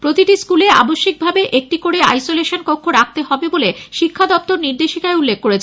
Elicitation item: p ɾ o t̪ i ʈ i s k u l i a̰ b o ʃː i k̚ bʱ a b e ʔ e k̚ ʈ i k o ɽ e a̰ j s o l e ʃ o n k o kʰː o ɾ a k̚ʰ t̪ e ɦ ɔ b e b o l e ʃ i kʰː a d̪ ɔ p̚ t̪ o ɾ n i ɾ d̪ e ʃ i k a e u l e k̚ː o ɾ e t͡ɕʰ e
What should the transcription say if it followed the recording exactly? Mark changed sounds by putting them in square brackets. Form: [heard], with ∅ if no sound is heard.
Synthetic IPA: p ɾ o t̪ i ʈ i s k u l [e] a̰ b o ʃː i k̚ bʱ a b e ʔ e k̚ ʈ i k o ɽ e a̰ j s o l e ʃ o n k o kʰː o ɾ a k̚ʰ t̪ e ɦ ɔ b e b o l e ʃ i kʰː a d̪ ɔ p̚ t̪ o ɾ n i ɾ d̪ e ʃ i k a e u [lː] e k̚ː o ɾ e t͡ɕʰ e

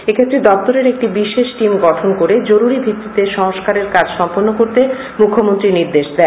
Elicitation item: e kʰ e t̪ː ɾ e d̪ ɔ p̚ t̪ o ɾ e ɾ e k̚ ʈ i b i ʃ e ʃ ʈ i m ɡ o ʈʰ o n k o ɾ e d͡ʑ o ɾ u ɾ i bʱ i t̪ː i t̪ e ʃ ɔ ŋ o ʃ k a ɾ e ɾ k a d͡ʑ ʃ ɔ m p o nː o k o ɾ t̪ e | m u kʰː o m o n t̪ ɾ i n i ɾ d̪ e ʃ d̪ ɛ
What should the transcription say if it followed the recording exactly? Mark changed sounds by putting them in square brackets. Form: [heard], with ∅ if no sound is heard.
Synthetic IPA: e kʰ e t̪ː ɾ e d̪ ɔ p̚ t̪ o ɾ e ɾ e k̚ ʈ i b i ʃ e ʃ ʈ i m ɡ [ɔ] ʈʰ o n k o ɾ e d͡ʑ o ɾ u ɾ i bʱ i t̪ː i t̪ e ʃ ɔ ŋ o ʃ k a ɾ e ɾ k a d͡ʑ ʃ ɔ m p o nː o k o ɾ t̪ e | m u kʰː o m o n t̪ ɾ i n i ɾ d̪ e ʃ d̪ ɛ

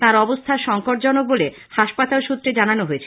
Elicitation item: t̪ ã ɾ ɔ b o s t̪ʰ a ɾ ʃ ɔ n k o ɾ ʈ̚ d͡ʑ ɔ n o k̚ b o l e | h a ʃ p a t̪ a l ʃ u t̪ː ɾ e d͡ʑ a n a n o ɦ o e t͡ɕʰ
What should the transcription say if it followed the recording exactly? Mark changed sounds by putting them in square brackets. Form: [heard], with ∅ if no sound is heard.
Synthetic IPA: t̪ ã ɾ ɔ b o s t̪ʰ a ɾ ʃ ɔ [ŋ] k o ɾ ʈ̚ d͡ʑ ɔ n o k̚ b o l e | h a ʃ p a t̪ a l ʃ u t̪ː ɾ e d͡ʑ a n a n o ɦ o e t͡ɕʰ

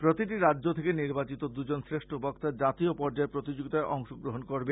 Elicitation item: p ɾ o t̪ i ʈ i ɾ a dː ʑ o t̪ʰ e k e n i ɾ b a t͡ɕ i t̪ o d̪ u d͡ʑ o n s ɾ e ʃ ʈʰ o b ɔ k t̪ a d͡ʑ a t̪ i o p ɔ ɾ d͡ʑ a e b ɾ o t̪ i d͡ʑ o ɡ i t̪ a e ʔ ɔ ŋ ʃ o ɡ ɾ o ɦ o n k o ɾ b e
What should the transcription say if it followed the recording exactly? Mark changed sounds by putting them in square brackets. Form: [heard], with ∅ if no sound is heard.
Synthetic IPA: p ɾ o t̪ i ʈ i ɾ a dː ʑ o t̪ʰ e k e n i ɾ b a t͡ɕ i t̪ o d̪ u d͡ʑ o n s ɾ e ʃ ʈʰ o b ɔ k t̪ a d͡ʑ a t̪ i o p ɔ ɾ d͡ʑ a e [p] ɾ o t̪ i d͡ʑ o ɡ i t̪ a e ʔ ɔ ŋ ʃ o ɡ ɾ o ɦ o n k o ɾ b e

